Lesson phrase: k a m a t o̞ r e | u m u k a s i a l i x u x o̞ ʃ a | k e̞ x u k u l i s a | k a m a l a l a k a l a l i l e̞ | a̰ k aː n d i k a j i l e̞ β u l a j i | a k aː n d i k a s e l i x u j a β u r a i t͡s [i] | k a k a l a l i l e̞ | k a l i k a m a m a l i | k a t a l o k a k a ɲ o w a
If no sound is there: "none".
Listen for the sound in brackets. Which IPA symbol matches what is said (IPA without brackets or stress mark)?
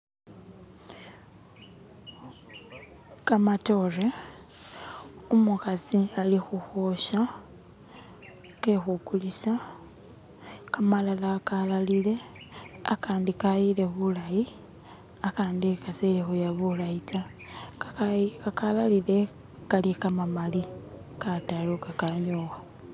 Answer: a